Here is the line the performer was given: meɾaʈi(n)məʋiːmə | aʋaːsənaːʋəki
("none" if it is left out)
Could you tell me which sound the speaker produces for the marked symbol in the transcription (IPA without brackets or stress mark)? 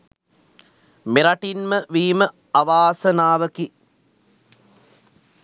n